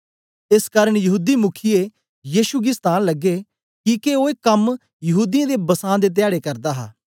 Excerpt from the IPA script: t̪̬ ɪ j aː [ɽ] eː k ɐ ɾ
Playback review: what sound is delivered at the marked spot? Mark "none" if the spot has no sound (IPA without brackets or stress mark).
ɽ